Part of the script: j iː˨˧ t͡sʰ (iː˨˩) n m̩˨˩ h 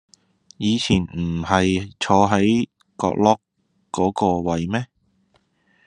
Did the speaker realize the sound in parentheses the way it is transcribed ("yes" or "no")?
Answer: yes